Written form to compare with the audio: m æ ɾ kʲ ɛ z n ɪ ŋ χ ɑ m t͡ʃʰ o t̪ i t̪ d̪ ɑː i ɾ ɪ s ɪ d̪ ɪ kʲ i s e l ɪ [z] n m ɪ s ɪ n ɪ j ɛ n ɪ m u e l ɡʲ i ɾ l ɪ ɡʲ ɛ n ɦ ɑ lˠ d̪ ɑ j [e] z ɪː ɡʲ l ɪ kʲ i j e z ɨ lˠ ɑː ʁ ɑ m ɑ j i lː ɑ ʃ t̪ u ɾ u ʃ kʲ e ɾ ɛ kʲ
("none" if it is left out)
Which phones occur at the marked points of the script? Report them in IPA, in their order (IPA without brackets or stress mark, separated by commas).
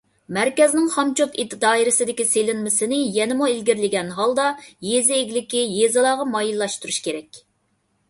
none, e